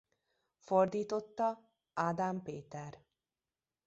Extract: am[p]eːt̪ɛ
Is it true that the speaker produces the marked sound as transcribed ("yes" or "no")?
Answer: yes